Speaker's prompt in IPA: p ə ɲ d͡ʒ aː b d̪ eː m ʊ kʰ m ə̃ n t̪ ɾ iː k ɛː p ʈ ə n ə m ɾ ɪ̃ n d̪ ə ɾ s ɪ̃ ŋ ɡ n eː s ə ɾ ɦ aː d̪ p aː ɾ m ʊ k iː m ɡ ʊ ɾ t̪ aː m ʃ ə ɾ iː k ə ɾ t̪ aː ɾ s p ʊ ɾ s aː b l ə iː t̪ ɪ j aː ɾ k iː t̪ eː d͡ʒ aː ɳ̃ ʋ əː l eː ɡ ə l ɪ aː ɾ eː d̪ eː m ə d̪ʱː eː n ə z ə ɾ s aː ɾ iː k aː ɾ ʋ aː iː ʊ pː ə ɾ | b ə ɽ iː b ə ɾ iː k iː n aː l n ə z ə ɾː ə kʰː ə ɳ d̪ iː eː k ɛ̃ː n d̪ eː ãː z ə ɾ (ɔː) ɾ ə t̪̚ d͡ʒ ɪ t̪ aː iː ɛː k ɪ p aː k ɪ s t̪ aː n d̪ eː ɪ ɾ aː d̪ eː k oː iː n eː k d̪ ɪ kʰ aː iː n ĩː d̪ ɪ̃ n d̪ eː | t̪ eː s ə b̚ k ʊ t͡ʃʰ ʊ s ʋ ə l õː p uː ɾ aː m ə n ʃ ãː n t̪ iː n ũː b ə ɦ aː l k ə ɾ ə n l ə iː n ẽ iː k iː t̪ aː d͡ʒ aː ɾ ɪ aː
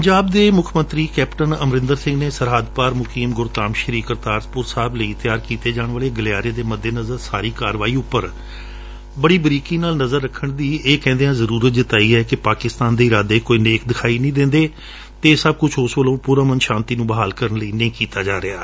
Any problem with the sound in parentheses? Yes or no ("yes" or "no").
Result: yes